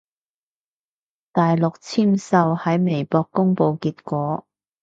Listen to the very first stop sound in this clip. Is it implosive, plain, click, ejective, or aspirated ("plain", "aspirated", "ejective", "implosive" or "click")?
plain